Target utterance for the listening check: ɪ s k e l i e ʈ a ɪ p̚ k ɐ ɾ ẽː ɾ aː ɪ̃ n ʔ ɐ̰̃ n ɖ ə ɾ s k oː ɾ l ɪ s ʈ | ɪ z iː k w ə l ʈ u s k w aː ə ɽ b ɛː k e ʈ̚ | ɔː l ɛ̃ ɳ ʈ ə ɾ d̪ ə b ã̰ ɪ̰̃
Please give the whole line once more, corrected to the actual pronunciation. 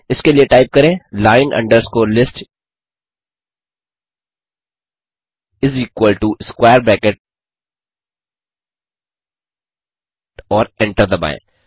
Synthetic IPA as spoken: ɪ s k e l i e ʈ a ɪ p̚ k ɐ ɾ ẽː l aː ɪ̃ n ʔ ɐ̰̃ ɳ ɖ ə ɾ s k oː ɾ l ɪ s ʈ | ɪ z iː k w ə l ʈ u s k w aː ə ɾ b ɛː k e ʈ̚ | ɔː ɾ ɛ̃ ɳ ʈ ə ɾ d̪ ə b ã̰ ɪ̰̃